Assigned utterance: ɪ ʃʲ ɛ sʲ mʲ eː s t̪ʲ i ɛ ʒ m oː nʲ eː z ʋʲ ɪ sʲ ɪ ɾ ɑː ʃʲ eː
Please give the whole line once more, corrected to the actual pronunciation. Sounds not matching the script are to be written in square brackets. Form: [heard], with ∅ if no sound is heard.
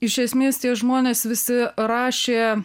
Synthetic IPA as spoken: ɪ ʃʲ ɛ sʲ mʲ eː s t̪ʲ i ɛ ʒ m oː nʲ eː [s] ʋʲ ɪ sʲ ɪ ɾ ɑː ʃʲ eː